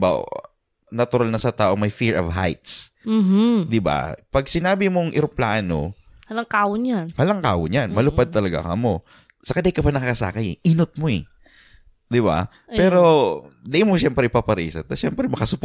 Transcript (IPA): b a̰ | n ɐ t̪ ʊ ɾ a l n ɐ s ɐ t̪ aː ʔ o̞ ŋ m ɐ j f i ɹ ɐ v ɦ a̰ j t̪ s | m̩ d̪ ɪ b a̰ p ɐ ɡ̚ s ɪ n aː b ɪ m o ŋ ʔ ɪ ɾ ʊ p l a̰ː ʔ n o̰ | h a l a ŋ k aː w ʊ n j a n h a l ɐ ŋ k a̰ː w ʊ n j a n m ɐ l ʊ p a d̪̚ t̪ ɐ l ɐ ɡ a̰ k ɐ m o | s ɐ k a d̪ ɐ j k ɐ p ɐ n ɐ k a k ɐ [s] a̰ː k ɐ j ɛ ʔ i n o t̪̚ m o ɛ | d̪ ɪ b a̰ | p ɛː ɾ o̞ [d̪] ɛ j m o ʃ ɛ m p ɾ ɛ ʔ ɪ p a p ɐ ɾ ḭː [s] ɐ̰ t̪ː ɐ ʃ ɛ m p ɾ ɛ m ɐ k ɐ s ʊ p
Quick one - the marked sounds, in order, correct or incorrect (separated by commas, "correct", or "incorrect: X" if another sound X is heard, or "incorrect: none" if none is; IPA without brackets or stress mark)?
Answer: correct, correct, correct